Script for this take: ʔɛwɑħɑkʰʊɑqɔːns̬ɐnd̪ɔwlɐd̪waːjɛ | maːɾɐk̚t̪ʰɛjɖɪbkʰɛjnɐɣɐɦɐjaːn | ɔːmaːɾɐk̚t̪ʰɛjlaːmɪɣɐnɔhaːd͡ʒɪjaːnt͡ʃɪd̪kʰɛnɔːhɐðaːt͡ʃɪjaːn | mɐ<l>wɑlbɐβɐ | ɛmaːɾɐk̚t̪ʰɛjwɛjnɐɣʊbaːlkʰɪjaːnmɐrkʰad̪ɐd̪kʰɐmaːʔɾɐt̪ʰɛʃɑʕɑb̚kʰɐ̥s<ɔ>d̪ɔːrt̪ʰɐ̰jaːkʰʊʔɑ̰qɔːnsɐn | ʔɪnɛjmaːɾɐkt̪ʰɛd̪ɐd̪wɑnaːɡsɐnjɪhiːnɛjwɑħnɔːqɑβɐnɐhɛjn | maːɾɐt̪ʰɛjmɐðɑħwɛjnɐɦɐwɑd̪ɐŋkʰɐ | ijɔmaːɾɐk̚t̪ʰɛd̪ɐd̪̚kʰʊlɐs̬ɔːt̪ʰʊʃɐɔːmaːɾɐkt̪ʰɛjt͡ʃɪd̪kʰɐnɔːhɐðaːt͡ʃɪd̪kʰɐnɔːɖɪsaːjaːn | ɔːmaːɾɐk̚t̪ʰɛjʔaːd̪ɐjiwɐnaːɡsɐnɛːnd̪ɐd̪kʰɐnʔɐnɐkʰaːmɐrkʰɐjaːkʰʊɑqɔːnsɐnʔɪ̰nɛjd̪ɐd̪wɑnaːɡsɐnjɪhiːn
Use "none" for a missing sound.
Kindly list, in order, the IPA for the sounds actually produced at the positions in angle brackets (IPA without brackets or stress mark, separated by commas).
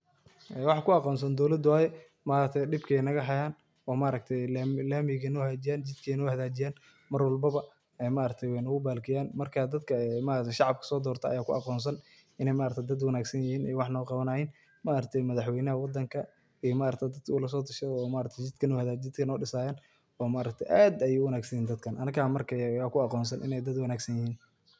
r, ɔː